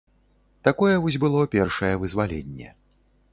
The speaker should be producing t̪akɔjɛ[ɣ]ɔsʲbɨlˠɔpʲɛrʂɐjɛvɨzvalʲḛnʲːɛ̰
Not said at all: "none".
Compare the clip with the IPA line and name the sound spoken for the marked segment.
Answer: v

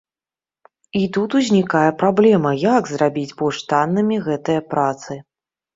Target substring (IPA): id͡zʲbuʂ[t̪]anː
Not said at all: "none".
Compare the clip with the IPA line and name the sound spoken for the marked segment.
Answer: t̪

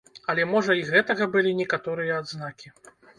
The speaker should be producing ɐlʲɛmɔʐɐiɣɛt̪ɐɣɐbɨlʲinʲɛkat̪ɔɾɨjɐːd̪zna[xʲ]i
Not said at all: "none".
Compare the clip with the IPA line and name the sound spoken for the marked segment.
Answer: kʲ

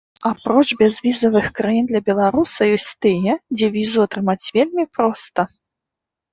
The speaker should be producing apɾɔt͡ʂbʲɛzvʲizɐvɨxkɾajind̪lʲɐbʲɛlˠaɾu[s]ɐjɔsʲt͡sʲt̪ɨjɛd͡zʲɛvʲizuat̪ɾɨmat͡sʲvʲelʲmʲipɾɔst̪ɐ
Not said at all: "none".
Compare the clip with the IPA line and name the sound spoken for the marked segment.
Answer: s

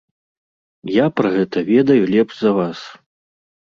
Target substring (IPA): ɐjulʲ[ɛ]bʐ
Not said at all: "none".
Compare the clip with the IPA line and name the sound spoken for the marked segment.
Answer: ɛ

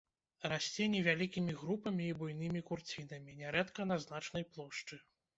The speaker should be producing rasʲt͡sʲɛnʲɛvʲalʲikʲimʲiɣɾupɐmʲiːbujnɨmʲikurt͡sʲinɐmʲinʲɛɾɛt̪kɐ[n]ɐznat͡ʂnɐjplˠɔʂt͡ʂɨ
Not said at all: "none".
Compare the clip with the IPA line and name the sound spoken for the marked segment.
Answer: n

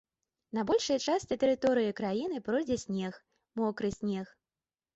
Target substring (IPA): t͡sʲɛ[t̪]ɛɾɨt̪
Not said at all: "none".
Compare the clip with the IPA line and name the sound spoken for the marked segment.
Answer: t̪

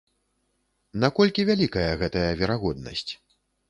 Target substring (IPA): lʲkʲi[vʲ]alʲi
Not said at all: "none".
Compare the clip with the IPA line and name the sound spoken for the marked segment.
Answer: vʲ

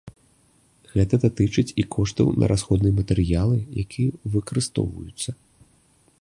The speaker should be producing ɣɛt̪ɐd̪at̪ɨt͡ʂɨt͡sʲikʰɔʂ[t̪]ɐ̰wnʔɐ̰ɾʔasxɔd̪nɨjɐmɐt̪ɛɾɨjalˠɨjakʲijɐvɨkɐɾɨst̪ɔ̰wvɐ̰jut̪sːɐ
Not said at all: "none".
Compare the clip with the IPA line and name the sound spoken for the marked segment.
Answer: t̪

